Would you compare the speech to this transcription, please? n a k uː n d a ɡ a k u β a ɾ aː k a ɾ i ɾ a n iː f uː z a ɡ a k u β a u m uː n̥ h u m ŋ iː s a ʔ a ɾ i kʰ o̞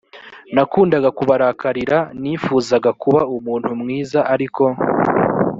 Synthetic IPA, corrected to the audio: n a k uː n d a ɡ a k u β a ɾ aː k a ɾ i ɾ a n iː f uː z a ɡ a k u β a u m uː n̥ h u m ŋ iː z a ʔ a ɾ i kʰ o̞